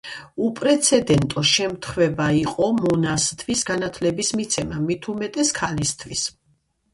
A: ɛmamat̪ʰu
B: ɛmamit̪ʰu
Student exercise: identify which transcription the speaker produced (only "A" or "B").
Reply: B